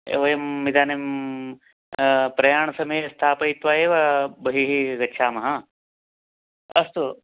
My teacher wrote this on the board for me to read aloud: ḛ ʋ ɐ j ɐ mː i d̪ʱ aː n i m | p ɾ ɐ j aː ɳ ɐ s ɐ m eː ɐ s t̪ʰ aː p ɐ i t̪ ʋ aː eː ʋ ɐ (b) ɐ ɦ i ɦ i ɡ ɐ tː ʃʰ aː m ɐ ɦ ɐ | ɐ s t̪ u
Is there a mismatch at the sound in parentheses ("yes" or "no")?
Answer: no